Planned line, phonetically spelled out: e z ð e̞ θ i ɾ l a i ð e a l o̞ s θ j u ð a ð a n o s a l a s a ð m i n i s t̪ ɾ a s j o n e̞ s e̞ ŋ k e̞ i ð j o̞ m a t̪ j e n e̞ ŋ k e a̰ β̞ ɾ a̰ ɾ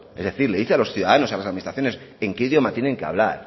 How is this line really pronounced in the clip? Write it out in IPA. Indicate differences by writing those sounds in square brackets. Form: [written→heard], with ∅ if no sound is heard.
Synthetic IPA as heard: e z ð e̞ θ i ɾ l [a→e] i [ð→θ] e a l o̞ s θ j u ð a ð a n o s a l a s a ð m i n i s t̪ ɾ a [s→θ] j o n e̞ s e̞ ŋ k e̞ i ð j o̞ m a t̪ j e n e̞ ŋ k e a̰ β̞ [ɾ→l] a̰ ɾ